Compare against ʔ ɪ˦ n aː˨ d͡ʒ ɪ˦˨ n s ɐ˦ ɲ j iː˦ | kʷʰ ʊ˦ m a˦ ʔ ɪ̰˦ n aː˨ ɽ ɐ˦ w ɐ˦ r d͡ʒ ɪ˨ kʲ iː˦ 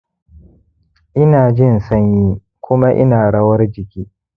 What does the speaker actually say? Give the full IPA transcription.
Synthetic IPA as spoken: ʔ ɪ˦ n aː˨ d͡ʒ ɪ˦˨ n s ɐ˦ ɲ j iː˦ | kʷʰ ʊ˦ m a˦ ʔ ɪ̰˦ n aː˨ ɽ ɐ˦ w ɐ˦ r d͡ʒ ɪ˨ kʲ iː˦